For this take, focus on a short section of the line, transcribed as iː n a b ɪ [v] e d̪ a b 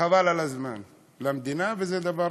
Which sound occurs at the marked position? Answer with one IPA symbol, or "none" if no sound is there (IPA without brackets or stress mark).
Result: z